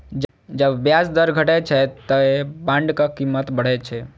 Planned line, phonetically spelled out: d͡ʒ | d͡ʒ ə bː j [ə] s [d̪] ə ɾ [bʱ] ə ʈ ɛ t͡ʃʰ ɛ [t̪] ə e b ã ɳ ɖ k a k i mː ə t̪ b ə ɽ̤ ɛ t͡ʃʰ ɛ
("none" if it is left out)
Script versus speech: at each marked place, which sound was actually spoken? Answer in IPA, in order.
a, d̪, ɡʱ, t̪

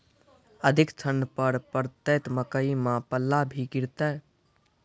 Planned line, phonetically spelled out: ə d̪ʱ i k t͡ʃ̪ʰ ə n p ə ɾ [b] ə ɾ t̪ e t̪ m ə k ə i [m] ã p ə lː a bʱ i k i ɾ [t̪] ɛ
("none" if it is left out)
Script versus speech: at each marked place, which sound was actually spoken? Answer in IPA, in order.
p, m, t̪

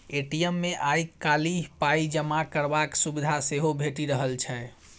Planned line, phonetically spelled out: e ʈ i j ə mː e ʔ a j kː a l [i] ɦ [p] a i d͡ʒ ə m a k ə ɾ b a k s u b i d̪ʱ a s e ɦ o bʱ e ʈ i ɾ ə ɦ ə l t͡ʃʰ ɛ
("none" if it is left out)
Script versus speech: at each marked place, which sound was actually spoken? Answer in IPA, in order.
i, p

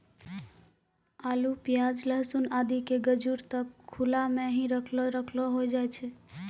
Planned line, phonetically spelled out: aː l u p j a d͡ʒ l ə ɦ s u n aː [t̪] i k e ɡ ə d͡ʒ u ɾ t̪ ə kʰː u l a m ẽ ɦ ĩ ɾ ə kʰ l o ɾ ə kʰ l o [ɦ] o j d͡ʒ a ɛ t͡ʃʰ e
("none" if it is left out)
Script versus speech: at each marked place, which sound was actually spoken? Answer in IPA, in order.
d̪, ɦ

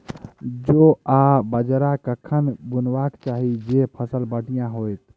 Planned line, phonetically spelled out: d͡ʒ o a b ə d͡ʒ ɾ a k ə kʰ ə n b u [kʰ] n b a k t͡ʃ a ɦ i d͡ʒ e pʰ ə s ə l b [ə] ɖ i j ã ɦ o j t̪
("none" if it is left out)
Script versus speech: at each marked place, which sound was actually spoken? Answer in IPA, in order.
none, ə

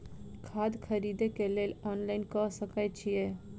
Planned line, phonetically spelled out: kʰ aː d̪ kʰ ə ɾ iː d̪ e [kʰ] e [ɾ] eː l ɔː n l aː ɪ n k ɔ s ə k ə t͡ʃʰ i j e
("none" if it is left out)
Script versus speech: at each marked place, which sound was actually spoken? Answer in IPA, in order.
k, l

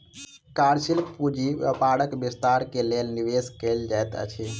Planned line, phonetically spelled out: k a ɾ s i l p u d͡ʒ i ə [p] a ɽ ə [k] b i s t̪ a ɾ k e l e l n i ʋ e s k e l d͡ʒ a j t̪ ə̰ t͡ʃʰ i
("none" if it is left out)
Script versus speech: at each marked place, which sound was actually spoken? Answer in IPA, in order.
p, k

